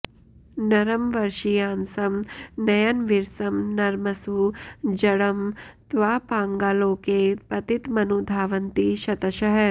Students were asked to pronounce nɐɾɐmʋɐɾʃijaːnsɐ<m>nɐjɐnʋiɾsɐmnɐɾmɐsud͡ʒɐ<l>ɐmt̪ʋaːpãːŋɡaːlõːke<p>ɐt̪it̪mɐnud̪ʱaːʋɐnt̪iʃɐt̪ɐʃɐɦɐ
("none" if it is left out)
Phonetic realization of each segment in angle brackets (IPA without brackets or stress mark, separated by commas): m, ɽ, p